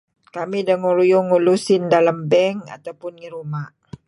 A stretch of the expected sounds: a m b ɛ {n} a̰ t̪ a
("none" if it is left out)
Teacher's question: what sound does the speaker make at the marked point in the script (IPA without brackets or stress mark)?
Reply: ŋ